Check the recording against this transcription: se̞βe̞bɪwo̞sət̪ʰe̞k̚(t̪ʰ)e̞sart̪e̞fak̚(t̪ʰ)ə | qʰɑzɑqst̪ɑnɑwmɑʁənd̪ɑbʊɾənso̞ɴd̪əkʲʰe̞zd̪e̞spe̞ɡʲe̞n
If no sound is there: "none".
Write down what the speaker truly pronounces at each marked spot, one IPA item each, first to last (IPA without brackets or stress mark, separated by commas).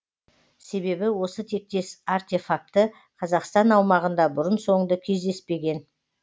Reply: t̪, t̪